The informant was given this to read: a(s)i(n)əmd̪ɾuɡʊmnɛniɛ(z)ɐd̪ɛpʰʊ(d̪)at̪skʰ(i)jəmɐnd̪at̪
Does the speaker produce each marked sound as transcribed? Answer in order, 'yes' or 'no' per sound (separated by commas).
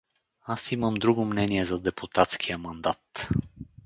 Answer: yes, no, yes, no, yes